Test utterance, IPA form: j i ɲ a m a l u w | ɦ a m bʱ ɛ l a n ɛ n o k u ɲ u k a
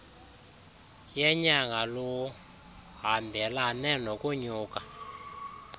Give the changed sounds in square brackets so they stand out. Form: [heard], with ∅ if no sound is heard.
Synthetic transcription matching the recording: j [ɛ] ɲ a [ŋ] a l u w | ɦ a m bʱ ɛ l a n ɛ n o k u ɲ [uː] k a